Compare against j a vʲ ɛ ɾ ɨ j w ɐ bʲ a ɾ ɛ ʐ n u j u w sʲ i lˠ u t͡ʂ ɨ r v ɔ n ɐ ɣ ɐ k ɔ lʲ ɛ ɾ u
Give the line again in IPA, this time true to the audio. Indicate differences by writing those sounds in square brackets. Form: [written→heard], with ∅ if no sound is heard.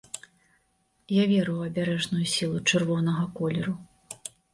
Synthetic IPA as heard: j a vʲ ɛ ɾ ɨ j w ɐ bʲ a ɾ ɛ ʐ n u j u [w→∅] sʲ i lˠ u t͡ʂ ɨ r v ɔ n ɐ ɣ ɐ k ɔ lʲ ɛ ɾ u